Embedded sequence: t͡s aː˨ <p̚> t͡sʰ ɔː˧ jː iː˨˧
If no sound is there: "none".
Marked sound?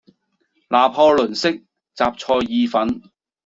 p̚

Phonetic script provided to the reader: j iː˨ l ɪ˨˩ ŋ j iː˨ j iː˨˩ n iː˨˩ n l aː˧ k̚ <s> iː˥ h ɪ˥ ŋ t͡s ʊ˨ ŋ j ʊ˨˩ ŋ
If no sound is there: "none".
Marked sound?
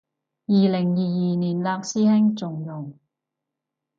s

